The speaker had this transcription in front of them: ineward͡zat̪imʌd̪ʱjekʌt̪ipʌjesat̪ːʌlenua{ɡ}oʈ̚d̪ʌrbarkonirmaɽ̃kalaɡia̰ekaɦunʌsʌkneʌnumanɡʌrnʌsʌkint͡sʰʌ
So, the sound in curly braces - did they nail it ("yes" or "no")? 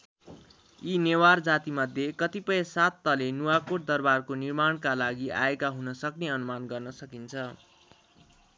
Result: no